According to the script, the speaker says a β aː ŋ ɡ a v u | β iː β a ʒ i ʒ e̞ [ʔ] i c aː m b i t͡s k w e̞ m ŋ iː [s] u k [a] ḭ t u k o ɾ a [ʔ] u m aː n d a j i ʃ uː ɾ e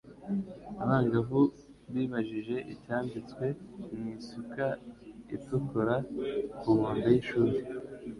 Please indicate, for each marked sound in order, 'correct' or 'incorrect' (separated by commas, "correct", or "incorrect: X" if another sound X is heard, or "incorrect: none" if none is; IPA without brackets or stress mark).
correct, correct, correct, incorrect: k